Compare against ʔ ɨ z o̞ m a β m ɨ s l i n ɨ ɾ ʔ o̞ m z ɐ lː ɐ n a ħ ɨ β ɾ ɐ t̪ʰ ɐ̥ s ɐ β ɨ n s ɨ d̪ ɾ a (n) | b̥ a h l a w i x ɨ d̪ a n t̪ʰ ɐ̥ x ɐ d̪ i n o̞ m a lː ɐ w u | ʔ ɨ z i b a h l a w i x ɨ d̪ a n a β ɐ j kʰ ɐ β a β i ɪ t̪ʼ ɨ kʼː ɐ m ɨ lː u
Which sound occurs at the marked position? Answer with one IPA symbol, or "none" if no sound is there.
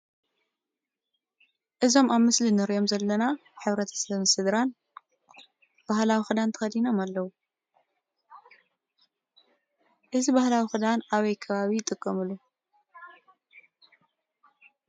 n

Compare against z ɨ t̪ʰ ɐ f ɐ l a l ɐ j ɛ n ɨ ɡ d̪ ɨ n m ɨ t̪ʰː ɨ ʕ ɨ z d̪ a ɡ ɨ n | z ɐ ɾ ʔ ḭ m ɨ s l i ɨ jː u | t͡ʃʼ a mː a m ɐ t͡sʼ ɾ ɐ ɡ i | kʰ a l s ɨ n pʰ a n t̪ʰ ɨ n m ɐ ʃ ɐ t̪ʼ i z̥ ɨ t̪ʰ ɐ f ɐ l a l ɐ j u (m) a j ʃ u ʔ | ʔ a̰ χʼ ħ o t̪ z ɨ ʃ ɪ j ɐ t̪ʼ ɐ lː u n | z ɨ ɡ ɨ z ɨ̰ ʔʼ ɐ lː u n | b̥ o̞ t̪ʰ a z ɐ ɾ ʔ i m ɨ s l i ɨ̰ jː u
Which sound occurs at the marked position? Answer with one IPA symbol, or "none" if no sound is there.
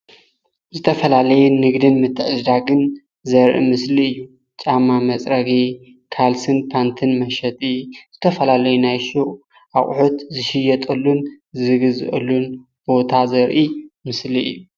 n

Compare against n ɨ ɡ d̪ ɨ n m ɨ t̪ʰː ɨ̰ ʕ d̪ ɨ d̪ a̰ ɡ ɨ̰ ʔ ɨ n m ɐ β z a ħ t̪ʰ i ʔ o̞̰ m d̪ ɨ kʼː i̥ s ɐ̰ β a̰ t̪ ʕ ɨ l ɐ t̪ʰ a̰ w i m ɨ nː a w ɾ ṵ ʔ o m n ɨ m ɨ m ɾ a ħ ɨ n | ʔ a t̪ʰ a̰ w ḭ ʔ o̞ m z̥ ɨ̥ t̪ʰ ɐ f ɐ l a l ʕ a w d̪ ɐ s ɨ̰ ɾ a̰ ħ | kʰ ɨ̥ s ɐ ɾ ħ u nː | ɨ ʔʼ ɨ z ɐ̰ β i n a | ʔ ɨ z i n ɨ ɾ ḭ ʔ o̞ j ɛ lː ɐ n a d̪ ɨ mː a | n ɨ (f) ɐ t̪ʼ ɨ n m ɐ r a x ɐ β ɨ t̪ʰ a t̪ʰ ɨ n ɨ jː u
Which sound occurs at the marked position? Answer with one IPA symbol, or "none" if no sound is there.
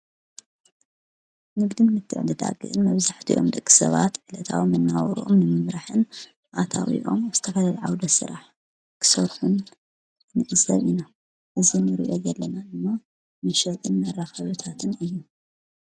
ʃ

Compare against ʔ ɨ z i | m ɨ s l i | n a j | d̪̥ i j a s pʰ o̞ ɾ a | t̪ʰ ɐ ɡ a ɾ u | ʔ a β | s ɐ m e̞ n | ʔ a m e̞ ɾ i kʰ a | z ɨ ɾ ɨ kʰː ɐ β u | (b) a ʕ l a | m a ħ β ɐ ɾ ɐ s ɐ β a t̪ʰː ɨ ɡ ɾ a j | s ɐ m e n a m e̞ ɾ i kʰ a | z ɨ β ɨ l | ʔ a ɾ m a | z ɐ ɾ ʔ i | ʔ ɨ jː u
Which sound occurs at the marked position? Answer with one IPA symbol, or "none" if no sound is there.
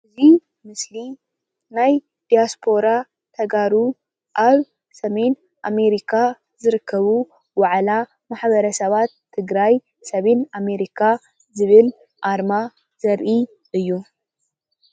w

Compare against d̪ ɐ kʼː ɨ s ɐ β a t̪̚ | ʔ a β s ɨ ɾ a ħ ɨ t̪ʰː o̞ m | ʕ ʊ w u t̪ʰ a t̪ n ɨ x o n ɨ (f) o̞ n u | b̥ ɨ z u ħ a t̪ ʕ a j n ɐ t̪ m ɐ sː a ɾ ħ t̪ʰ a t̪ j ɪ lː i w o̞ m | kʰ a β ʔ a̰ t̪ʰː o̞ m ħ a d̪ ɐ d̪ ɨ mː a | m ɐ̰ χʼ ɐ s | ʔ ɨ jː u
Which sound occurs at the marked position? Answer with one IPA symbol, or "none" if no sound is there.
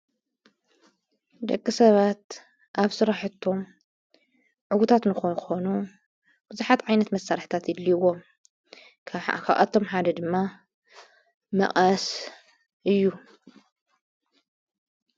x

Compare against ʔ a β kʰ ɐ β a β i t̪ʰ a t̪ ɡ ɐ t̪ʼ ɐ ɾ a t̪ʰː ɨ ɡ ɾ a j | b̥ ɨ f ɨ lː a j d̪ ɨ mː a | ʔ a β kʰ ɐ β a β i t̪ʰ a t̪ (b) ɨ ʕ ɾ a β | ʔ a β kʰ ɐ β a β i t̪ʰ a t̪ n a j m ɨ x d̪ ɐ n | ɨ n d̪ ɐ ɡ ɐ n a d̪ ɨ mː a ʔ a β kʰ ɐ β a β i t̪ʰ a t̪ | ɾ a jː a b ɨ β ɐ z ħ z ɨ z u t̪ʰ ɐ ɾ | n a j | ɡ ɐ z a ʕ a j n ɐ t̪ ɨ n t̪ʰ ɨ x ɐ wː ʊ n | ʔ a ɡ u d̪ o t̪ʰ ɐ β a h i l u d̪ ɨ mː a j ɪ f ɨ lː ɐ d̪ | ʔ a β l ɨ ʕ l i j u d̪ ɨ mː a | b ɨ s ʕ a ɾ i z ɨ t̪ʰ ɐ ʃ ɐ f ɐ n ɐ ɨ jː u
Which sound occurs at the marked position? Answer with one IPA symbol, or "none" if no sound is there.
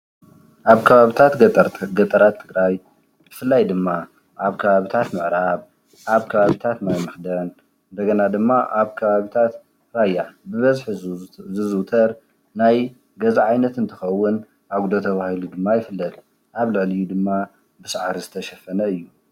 m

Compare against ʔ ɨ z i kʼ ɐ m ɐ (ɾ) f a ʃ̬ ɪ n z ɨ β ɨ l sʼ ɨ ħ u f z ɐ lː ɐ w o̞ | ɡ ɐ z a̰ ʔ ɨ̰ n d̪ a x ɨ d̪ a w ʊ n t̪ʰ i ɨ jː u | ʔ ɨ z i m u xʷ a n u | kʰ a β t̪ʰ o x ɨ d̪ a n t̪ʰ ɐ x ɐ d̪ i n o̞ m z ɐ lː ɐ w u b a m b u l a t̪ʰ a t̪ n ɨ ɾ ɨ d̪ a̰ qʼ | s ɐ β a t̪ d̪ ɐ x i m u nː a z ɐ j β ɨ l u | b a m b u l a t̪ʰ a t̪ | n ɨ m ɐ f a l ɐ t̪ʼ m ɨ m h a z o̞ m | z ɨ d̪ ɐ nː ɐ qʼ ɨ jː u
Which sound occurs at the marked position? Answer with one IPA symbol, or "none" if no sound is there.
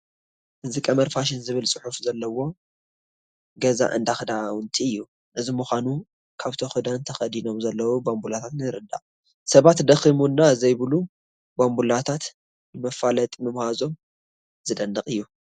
ɾ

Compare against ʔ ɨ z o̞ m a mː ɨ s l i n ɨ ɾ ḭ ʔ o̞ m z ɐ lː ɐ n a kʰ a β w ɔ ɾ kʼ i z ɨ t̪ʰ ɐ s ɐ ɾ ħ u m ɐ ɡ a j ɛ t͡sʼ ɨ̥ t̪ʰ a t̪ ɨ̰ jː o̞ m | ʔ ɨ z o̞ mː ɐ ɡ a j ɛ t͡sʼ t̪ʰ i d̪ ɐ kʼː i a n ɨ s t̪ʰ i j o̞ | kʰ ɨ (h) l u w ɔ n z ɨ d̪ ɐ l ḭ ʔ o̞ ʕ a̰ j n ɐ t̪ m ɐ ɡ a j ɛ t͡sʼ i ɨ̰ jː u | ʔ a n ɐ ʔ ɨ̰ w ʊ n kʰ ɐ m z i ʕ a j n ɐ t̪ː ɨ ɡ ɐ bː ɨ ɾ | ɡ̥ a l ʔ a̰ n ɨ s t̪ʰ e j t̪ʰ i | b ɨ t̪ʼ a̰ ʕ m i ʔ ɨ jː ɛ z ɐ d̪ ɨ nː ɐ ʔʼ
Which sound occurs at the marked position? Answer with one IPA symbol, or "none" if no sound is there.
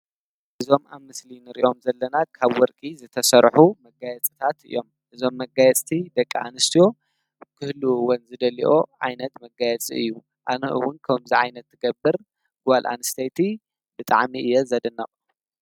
h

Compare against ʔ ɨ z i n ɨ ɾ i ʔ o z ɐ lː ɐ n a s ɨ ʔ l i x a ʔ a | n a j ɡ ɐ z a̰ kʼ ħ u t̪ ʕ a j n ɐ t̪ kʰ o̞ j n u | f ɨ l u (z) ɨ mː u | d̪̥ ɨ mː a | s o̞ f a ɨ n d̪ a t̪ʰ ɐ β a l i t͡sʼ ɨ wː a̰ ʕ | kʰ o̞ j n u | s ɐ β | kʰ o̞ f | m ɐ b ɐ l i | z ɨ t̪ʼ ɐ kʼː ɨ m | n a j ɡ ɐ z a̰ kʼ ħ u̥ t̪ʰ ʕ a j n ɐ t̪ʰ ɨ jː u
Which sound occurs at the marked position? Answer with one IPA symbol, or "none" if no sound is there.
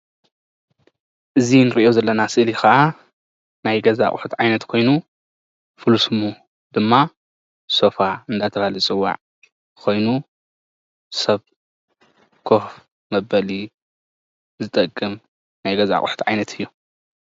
s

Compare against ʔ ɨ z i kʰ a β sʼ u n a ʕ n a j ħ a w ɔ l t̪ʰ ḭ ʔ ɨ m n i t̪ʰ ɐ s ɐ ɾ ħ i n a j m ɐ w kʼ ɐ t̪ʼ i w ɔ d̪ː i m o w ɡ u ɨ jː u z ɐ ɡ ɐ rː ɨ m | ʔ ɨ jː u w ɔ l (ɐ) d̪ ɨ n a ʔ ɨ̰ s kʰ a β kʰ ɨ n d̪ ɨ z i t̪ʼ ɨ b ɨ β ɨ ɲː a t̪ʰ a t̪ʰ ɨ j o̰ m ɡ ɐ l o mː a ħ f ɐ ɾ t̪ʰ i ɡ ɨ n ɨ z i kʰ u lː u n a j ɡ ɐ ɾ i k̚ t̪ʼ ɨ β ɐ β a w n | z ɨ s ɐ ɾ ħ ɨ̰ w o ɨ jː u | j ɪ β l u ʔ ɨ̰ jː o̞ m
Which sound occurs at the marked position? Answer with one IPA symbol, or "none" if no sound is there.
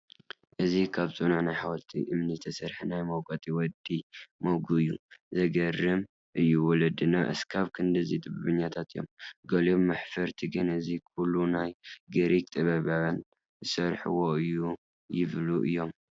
ɐ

